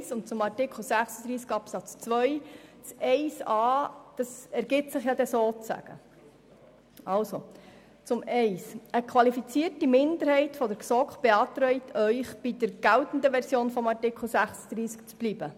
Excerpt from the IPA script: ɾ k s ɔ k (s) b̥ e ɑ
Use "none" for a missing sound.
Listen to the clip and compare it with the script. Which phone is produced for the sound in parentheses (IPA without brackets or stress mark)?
χ